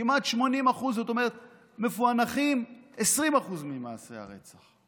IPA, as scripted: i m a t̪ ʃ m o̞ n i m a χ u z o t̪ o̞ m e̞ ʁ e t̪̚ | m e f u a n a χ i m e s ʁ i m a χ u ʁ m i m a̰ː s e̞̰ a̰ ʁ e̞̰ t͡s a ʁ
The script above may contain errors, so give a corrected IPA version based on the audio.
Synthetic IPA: i m a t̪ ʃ m o̞ n i m a χ u z o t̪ o̞ m e̞ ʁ e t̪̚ | m e f u a n a χ i m e s ʁ i m a χ u z m i m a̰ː s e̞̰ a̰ ʁ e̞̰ t͡s a χ